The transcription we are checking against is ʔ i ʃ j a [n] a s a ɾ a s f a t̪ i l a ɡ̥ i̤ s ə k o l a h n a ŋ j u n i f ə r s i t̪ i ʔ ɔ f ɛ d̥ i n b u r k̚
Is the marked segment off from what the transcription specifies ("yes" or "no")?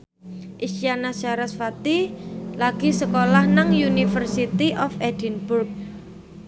no